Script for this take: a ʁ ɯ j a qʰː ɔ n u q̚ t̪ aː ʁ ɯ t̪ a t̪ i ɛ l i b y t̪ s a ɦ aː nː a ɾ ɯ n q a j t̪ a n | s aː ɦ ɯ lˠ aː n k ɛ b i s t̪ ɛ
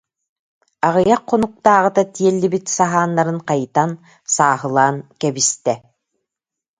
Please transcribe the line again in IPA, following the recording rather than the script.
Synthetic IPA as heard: a ʁ ɯ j a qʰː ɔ n u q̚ t̪ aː ʁ ɯ t̪ a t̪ i ɛ lː i b i t̪ s a ɦ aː nː a ɾ ɯ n q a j t̪ a n | s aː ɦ ɯ lˠ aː n k ɛ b i s t̪ ɛ